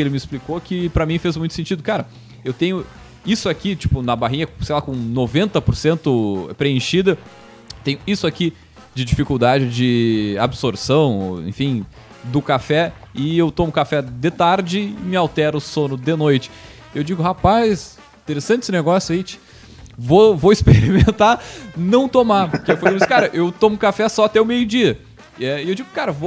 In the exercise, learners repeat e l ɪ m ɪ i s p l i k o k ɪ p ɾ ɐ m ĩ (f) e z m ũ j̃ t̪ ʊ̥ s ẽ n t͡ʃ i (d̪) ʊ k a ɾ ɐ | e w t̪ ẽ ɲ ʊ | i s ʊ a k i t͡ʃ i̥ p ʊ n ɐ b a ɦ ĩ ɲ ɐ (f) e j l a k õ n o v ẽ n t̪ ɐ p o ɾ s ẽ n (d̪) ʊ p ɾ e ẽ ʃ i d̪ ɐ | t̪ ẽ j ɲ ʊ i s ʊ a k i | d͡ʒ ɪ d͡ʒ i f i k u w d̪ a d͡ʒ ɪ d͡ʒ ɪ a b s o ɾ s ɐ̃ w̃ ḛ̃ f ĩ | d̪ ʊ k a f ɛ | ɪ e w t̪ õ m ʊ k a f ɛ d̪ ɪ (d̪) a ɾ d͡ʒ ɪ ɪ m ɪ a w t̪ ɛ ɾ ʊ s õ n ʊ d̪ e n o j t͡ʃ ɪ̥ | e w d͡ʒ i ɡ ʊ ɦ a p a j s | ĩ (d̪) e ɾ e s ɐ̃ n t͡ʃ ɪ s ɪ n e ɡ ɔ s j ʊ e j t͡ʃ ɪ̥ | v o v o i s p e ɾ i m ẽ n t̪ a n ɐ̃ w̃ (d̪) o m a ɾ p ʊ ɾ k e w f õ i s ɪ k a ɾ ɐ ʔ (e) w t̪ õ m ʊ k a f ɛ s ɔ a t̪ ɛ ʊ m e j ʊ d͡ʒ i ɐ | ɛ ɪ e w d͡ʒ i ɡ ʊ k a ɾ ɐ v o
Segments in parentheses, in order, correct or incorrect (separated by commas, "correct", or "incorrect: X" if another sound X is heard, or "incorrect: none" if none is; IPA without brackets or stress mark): correct, correct, incorrect: s, incorrect: t̪, incorrect: t̪, incorrect: t̪, incorrect: t̪, correct